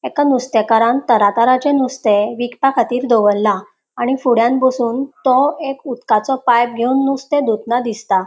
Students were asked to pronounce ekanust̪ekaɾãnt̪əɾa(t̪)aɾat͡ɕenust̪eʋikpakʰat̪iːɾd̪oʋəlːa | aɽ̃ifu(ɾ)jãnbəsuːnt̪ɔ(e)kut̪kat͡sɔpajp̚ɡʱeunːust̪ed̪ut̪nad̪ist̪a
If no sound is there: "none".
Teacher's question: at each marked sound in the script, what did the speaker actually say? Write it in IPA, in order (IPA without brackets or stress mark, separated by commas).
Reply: t̪, ɽ, e